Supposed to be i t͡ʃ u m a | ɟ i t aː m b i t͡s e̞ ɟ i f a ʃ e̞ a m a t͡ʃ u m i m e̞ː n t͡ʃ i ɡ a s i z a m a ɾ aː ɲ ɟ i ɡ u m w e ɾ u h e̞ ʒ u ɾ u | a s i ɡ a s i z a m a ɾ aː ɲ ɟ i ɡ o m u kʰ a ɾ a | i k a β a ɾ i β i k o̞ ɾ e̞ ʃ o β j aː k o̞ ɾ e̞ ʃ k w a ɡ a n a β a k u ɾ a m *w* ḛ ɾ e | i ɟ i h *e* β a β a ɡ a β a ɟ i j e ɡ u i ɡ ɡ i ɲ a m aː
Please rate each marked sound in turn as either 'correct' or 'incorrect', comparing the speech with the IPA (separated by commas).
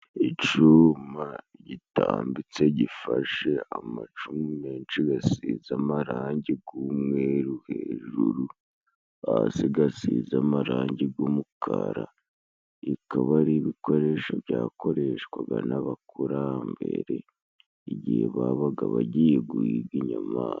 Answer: incorrect, correct